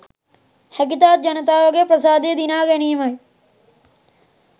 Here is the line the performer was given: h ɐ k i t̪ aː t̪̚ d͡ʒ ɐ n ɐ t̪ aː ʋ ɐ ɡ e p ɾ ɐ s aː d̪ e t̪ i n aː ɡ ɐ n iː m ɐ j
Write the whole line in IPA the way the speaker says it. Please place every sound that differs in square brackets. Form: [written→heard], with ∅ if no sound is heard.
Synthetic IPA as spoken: h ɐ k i t̪ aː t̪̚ d͡ʒ ɐ n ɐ t̪ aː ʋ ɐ ɡ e p ɾ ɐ s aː d̪ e [t̪→d̪] i n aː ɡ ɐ n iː m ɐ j